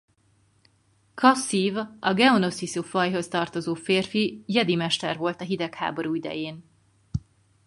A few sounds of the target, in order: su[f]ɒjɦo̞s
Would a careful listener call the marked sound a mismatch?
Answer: no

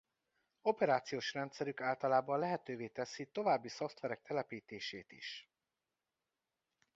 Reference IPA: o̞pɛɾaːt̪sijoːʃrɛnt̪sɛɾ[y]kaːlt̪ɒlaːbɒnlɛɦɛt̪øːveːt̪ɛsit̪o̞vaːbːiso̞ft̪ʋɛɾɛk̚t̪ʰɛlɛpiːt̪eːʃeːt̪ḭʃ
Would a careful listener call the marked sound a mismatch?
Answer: no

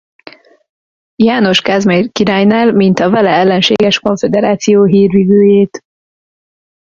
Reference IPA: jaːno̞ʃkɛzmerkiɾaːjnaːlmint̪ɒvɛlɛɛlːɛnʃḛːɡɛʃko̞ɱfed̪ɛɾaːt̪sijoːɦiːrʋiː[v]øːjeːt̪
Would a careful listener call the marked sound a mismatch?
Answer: no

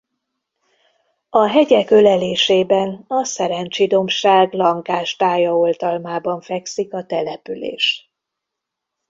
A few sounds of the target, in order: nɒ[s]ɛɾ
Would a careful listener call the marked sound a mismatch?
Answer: no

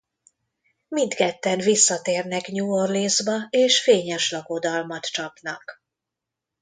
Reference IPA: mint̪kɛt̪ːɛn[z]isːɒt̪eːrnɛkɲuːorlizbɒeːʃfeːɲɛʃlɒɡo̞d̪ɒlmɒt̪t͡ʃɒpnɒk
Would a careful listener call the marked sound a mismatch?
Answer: yes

